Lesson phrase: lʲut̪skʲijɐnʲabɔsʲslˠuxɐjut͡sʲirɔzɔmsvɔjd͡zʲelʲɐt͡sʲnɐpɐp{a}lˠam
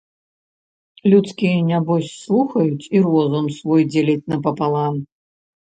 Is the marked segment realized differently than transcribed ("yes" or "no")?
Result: no